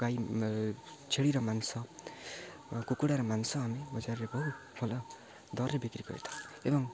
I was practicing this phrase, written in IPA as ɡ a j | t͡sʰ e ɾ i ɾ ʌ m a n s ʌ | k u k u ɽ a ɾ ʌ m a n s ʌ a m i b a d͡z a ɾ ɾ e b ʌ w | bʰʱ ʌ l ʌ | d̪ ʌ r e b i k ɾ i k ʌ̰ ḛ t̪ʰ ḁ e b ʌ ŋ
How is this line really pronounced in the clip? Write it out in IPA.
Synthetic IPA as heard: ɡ a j | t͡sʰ e ɽ i ɾ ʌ m a n s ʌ | k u k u ɽ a ɾ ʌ m a n s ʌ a m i b ʌ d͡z a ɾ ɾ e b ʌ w | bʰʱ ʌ l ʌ | d̪ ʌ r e b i k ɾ i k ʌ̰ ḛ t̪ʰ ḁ e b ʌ ŋ